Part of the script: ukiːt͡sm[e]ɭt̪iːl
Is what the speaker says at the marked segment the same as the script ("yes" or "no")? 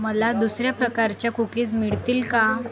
no